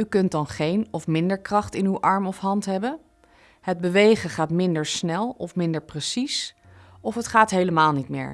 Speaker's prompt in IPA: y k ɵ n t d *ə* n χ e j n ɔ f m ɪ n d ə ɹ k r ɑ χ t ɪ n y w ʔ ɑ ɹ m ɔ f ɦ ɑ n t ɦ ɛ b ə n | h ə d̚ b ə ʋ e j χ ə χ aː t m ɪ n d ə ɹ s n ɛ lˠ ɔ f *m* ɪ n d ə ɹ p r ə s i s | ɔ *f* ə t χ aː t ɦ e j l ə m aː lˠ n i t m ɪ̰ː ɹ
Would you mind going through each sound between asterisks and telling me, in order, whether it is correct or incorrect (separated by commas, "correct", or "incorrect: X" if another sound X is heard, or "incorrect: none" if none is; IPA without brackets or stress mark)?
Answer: incorrect: ɑ, correct, correct